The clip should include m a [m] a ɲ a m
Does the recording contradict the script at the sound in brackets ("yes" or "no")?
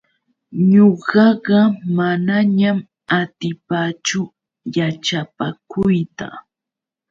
yes